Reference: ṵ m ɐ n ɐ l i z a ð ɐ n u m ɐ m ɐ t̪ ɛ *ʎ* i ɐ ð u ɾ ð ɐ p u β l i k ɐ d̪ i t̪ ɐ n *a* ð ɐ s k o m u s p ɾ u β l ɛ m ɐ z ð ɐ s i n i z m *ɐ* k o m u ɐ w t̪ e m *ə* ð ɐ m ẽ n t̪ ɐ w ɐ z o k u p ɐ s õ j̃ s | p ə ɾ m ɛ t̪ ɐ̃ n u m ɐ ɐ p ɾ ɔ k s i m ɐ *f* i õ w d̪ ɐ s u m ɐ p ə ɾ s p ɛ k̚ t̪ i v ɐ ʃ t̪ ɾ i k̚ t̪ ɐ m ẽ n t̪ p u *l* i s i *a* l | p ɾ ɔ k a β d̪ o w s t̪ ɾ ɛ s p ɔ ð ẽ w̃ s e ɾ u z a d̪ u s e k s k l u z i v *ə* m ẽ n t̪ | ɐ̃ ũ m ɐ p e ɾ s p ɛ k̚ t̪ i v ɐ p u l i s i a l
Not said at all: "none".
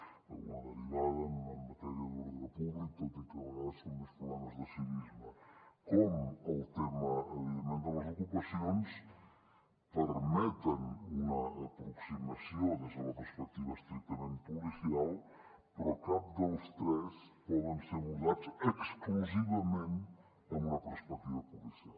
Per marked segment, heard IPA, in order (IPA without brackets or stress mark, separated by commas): ɾ, a, ɐ, ɐ, s, l, a, ɐ